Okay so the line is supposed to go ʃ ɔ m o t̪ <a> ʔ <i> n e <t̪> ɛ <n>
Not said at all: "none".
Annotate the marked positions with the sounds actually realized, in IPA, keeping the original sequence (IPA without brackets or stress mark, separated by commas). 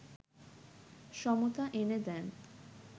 a, e, d̪, n